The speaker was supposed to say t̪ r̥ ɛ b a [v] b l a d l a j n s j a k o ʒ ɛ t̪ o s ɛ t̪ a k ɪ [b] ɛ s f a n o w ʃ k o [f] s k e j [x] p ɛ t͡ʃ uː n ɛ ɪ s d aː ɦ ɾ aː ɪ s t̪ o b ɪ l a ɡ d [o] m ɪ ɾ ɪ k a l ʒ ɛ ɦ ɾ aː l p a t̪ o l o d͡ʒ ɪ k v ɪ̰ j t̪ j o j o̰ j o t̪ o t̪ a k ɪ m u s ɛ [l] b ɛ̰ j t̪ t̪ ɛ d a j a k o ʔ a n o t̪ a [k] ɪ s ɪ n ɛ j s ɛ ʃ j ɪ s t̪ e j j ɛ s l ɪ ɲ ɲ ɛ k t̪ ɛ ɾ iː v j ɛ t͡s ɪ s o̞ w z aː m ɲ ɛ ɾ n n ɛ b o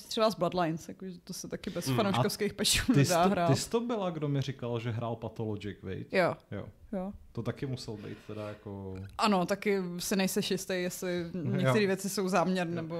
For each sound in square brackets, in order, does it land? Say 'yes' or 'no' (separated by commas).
no, yes, yes, yes, yes, yes, yes